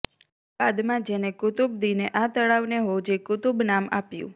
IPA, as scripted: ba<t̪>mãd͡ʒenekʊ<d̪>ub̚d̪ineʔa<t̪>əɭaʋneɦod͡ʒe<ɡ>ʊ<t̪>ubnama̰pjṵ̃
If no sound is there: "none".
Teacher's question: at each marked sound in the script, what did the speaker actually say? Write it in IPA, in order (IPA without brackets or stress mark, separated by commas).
d̪, t̪, t̪, k, t̪